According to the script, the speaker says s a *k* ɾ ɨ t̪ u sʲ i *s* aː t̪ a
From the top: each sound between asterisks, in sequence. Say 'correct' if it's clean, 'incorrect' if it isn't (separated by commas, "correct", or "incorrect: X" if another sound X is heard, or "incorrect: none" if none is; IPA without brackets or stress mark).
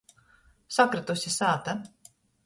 correct, correct